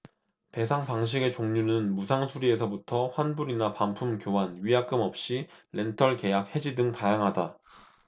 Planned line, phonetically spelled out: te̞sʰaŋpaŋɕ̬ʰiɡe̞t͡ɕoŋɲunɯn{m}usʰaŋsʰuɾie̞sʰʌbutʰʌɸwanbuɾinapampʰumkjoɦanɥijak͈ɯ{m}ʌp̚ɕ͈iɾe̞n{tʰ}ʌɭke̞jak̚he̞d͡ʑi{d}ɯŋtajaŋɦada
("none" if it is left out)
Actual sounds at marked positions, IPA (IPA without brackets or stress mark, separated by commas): m, m, tʰ, d